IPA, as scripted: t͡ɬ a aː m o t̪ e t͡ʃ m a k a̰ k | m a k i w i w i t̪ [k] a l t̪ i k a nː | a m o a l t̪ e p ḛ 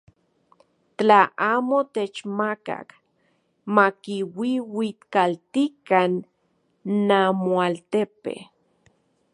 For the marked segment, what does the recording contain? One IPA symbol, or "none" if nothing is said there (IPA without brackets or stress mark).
k